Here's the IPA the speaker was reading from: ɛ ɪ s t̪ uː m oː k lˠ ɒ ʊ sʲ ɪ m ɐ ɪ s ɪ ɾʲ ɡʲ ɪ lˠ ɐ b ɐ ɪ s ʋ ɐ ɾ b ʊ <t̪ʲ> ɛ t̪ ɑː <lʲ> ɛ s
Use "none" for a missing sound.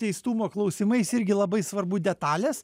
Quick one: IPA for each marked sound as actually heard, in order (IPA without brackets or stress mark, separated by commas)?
d̪ʲ, lʲ